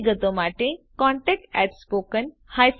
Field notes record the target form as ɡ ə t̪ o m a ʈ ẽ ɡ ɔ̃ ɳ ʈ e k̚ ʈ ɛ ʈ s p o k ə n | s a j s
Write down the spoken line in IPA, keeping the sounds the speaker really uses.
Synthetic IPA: ɡ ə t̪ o m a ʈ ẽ k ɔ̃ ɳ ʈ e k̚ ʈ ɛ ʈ s p o k ə n | h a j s